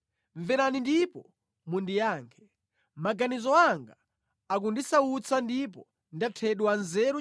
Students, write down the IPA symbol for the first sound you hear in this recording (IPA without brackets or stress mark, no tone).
ɱ